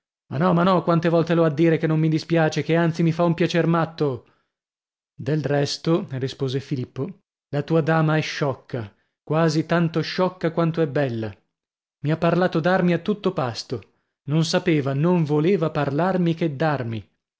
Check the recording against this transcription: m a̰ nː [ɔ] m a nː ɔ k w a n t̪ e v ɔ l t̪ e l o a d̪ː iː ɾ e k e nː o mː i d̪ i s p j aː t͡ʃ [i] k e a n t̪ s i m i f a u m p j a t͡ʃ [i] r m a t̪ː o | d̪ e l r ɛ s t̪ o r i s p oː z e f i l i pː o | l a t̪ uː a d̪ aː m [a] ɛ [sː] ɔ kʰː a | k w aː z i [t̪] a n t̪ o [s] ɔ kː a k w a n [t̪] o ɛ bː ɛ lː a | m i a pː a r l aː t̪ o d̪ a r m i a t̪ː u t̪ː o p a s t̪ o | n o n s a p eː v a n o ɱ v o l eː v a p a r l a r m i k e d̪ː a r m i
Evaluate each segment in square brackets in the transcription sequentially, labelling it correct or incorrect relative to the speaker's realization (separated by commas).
correct, incorrect, incorrect, correct, incorrect, correct, incorrect, correct